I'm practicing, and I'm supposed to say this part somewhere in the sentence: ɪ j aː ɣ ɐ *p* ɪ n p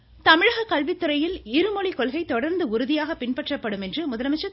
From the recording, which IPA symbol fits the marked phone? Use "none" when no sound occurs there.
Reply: p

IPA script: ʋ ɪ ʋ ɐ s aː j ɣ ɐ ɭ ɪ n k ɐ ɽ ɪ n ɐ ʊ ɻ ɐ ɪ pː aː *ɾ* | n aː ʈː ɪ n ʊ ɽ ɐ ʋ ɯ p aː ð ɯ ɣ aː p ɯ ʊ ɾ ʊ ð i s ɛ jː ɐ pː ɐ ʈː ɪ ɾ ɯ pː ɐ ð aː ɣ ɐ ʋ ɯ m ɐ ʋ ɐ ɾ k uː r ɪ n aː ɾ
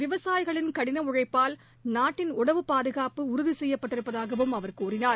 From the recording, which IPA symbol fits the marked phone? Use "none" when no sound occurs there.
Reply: l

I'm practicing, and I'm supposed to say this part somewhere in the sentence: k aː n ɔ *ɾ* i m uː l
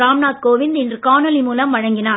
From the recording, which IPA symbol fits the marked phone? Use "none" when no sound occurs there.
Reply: l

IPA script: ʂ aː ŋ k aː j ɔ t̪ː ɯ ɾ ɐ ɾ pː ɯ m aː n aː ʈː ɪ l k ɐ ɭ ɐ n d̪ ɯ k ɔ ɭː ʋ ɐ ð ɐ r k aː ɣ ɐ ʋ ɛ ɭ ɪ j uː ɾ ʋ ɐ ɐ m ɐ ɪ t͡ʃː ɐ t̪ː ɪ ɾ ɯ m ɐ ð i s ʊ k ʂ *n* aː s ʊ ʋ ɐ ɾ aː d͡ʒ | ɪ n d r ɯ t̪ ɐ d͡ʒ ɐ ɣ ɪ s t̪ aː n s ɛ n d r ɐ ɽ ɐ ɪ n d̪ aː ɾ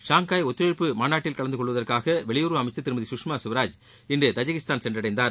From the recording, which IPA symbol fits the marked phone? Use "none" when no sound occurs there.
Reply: m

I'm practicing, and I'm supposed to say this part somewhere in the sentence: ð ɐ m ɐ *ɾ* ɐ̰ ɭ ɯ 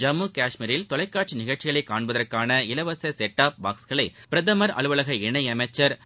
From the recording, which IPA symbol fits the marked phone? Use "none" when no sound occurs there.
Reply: ɾ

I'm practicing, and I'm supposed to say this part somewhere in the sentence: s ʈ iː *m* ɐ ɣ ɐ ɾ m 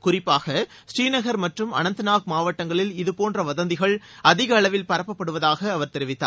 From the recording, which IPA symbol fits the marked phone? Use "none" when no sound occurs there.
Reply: n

